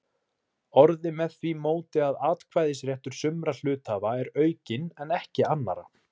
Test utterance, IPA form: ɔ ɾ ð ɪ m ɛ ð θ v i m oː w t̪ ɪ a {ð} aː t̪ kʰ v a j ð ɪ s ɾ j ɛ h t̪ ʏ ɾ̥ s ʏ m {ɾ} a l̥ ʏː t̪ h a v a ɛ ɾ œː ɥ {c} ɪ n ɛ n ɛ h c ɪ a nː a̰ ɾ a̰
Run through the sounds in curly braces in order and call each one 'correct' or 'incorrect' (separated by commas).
correct, correct, correct